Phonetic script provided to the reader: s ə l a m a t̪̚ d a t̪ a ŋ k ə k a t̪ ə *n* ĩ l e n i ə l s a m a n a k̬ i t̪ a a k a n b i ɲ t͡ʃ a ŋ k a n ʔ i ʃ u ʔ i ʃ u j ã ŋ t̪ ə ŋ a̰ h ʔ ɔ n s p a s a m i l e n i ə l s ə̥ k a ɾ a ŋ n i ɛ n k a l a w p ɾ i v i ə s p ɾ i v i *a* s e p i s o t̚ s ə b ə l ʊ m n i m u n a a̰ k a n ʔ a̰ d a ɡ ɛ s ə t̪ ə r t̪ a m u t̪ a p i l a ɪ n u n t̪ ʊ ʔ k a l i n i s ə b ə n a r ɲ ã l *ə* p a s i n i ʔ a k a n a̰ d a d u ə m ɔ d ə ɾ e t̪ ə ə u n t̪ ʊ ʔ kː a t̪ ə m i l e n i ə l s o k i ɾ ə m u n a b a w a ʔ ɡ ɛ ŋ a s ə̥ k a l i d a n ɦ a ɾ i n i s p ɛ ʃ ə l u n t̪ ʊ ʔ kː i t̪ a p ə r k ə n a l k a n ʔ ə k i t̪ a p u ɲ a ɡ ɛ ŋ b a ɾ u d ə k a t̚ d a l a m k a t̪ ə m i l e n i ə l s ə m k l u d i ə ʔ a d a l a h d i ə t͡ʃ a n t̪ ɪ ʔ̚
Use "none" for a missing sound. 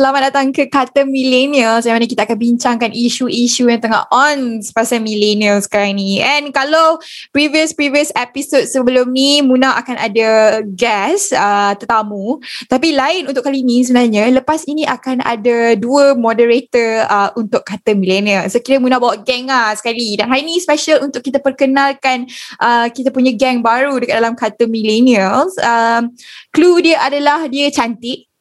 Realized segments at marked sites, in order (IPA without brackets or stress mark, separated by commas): m, ə, ə